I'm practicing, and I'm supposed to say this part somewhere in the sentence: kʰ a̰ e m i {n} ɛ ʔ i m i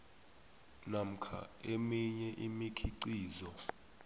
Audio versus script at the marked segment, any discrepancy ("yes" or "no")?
yes